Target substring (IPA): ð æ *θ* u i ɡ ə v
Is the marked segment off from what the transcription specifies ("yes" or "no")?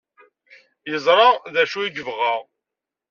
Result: yes